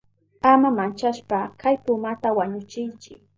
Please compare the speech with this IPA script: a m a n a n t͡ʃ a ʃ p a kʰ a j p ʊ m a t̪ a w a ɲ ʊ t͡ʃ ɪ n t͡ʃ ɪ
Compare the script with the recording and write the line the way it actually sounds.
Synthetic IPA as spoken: a m a m a n t͡ʃ a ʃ p a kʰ a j p ʊ m a t̪ a w a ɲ ʊ t͡ʃ ɪ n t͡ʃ ɪ